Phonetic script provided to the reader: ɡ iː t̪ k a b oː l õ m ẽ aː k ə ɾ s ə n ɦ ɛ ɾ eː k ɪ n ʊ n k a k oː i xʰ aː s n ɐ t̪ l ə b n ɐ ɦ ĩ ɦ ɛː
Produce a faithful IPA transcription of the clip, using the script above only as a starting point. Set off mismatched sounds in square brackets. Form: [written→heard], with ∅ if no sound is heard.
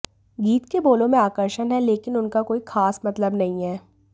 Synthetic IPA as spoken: ɡ iː t̪ k [a→e] b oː l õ m ẽ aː k ə ɾ [s→ʃ] ə n ɦ ɛ [ɾ→l] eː k ɪ n ʊ n k a k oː i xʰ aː s [n→m] ɐ t̪ l ə b n ɐ ɦ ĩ ɦ ɛː